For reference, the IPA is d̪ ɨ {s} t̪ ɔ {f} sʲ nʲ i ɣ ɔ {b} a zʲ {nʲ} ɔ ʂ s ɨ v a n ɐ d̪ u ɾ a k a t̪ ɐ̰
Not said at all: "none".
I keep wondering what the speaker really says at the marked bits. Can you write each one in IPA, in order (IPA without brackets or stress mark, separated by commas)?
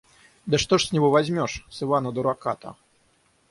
ʂ, ʂ, v, mʲ